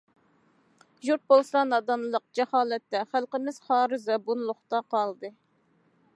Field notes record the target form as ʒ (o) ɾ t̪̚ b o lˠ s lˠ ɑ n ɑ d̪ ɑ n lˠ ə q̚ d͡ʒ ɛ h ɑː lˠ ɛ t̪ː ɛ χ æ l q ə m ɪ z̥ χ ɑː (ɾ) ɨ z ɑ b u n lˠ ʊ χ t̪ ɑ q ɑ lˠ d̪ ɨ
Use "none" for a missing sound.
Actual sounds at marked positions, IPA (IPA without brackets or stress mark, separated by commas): u, ɾ